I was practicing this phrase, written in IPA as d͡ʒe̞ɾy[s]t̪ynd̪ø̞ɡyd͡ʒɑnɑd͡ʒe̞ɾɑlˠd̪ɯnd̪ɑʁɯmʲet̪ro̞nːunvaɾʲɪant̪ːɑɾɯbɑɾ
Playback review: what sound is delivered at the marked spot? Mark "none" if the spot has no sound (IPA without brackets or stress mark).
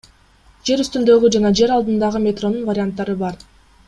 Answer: s